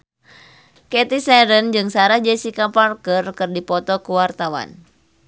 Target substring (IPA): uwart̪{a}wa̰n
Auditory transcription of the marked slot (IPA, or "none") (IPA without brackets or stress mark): a